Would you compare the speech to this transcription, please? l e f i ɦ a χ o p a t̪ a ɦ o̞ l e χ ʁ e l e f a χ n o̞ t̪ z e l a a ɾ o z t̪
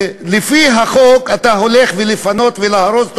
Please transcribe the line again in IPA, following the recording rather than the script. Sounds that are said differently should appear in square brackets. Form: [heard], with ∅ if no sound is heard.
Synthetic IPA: l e f i ɦ a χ o [k] a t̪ a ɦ o̞ l e χ [v] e l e f a [∅] n o̞ t̪ [v] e l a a ɾ o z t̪